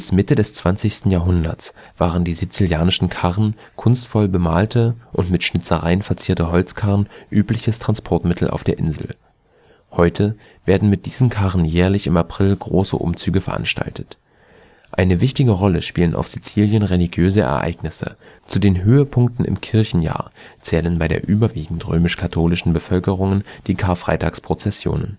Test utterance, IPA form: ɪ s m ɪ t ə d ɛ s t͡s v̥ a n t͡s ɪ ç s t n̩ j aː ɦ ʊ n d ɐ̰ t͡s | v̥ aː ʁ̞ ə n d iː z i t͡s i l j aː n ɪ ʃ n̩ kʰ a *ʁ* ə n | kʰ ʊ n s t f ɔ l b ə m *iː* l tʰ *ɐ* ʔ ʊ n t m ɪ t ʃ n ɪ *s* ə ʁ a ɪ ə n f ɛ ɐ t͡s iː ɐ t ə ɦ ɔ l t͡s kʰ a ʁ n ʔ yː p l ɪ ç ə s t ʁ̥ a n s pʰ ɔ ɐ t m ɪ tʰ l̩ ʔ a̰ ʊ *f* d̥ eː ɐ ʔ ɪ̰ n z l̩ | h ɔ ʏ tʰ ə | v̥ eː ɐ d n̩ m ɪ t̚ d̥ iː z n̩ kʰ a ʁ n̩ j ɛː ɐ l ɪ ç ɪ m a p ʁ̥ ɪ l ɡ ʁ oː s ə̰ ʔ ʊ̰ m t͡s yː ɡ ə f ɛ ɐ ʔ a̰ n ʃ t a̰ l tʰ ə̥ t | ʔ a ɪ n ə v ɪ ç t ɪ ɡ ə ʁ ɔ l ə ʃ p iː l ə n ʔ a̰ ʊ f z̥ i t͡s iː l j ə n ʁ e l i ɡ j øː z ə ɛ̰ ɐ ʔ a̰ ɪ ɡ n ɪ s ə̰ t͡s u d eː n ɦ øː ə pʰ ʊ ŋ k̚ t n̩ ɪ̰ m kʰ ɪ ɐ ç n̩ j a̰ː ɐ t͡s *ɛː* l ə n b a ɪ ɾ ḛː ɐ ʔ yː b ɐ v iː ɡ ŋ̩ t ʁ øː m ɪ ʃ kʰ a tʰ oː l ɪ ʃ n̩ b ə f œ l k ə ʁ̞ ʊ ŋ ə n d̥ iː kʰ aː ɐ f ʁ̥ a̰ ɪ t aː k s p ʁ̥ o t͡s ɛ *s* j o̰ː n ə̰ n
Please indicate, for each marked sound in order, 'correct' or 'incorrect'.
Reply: correct, incorrect: aː, incorrect: ə, incorrect: t͡s, correct, correct, correct

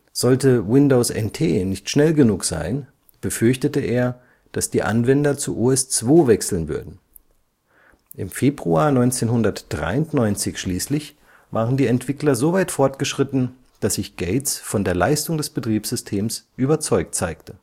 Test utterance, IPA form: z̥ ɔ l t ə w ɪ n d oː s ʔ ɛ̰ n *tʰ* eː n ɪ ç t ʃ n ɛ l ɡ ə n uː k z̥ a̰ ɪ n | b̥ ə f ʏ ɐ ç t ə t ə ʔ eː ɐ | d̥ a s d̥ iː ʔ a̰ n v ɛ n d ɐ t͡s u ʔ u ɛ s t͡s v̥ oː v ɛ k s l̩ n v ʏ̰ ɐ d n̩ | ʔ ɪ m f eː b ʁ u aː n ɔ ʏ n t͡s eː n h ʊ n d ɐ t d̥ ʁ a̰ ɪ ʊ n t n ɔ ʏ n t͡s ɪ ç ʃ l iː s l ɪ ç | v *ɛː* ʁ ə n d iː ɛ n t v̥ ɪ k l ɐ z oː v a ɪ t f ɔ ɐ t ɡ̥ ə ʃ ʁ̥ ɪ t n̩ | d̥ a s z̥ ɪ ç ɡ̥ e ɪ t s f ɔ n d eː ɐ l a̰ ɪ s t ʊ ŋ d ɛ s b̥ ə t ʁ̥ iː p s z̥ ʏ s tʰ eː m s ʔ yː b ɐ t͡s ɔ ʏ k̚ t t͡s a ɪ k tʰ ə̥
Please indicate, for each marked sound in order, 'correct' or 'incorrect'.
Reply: correct, incorrect: aː

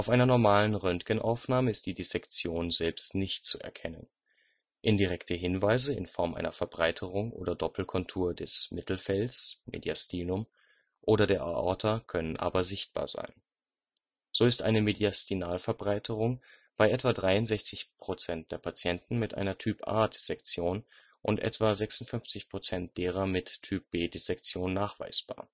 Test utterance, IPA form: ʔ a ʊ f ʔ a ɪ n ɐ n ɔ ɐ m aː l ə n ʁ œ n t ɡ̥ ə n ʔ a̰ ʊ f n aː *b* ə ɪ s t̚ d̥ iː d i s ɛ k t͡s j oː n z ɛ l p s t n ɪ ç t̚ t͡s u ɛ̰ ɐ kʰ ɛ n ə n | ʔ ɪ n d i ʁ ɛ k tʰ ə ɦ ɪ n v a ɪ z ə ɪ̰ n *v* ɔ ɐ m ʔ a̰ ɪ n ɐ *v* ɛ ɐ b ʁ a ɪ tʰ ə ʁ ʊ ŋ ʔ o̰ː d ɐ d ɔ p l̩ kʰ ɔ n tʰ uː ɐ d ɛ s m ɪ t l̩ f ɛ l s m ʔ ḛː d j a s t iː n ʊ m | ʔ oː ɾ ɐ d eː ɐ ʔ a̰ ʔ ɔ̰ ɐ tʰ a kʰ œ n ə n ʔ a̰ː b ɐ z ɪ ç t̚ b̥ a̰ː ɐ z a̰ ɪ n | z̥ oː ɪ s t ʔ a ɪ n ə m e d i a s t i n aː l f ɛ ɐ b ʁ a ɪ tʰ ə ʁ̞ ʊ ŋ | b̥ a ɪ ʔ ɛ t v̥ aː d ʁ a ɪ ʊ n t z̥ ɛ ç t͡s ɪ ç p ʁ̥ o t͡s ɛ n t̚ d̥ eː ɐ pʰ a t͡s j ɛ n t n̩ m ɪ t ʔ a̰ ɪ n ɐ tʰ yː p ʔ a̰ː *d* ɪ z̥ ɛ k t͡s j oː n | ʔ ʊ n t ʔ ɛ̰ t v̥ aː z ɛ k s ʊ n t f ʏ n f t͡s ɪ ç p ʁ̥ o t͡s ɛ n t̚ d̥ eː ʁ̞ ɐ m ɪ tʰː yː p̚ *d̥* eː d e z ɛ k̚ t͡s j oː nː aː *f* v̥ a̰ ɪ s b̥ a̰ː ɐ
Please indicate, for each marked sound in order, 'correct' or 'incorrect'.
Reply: incorrect: m, incorrect: f, incorrect: f, correct, incorrect: b̥, incorrect: χ

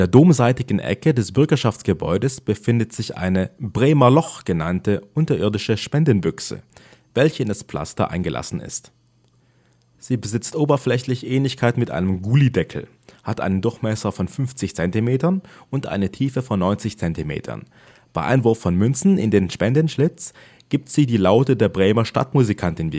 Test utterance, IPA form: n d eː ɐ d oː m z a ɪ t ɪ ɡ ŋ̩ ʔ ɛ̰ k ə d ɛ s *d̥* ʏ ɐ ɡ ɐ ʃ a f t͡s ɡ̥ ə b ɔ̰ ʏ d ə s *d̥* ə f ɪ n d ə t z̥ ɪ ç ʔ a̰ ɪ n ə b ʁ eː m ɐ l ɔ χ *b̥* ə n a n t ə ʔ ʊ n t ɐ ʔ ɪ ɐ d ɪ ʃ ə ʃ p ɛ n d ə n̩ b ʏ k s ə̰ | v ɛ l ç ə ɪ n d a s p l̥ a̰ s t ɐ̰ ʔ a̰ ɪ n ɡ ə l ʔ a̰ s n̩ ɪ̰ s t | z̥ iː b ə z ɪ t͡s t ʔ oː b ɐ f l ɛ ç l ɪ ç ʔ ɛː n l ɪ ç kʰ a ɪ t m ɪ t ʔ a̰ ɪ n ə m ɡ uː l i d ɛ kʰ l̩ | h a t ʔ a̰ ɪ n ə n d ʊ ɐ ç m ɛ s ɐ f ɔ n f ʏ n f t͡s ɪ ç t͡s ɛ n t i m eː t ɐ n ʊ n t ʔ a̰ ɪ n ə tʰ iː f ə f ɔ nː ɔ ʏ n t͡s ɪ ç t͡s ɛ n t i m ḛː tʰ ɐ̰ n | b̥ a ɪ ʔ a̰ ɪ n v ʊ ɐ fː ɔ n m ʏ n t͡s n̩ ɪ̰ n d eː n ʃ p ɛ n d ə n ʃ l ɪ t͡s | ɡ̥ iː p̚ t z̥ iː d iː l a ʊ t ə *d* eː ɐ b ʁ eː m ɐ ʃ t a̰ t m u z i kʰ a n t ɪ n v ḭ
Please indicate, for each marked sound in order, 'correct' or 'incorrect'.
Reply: incorrect: b̥, incorrect: b̥, incorrect: ɡ̥, correct

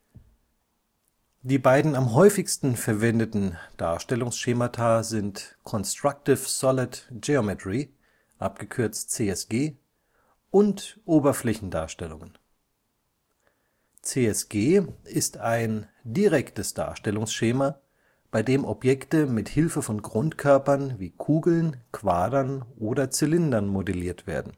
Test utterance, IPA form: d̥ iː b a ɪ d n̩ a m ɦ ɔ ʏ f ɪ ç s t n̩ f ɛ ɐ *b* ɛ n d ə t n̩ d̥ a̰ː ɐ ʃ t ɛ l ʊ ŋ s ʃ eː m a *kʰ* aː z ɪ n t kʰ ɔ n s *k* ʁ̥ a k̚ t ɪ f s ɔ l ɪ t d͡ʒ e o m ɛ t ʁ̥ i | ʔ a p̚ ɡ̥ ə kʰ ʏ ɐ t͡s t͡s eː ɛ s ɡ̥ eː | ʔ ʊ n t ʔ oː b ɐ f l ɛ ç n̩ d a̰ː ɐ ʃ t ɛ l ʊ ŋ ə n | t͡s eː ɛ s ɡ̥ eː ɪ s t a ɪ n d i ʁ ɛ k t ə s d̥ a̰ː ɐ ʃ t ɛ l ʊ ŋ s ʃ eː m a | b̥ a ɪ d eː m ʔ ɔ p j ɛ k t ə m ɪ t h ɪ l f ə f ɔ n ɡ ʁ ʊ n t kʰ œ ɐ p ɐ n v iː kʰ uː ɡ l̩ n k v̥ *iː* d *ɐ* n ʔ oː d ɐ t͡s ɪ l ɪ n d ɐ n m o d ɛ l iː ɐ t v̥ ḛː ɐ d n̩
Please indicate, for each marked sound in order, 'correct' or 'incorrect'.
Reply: incorrect: v, incorrect: tʰ, incorrect: t, incorrect: aː, correct

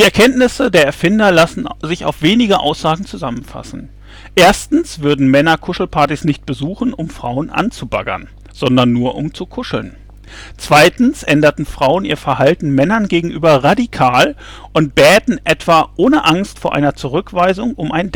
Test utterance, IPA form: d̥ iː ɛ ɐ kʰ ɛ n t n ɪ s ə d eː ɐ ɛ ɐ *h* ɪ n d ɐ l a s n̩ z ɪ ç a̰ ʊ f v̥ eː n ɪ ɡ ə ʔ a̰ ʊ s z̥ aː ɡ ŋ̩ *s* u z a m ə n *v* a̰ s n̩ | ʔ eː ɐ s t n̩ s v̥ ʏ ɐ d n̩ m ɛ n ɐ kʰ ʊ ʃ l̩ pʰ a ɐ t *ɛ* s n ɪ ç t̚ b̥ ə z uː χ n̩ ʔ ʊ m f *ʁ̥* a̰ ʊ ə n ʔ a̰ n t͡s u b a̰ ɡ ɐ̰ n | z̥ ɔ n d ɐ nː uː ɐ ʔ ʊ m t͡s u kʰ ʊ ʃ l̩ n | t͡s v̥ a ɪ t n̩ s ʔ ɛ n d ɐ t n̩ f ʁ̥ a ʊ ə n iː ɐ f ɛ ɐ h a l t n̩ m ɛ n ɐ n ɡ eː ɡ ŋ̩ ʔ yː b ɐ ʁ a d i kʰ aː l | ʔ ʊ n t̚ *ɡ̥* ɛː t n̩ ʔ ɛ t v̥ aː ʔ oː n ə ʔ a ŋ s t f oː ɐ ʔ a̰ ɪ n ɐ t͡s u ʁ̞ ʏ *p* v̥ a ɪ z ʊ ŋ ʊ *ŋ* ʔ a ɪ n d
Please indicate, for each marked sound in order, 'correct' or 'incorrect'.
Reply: incorrect: f, incorrect: t͡s, incorrect: f, incorrect: i, correct, incorrect: b̥, incorrect: k, incorrect: m

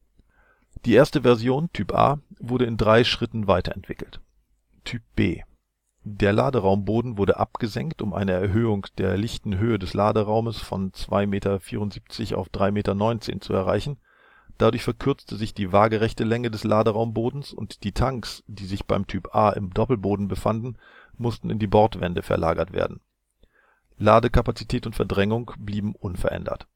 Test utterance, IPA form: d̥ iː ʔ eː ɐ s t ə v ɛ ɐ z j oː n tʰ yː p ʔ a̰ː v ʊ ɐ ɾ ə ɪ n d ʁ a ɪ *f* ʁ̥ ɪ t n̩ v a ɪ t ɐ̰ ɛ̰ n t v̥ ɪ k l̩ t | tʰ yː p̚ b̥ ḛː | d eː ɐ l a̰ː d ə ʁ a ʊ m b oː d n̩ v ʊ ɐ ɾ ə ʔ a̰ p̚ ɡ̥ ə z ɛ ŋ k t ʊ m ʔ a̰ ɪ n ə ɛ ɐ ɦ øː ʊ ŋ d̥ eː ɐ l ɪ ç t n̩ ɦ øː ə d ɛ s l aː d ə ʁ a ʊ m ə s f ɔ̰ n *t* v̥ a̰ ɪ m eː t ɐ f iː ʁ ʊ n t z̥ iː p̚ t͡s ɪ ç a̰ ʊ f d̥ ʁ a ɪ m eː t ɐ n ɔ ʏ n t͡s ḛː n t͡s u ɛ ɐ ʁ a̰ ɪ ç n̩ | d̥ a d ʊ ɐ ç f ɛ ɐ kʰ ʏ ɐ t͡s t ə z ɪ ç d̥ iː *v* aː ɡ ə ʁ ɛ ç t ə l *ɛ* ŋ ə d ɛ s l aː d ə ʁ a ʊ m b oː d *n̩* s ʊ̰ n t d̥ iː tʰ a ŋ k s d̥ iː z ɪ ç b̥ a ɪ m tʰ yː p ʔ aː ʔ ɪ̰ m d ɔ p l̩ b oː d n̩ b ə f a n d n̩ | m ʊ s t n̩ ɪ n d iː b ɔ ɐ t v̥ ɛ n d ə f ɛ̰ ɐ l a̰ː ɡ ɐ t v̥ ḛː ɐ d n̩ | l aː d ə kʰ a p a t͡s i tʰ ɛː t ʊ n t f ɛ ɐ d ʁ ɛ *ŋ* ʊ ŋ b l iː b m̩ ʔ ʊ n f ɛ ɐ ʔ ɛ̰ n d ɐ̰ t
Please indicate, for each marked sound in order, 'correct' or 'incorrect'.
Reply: incorrect: ʃ, incorrect: t͡s, correct, correct, correct, correct

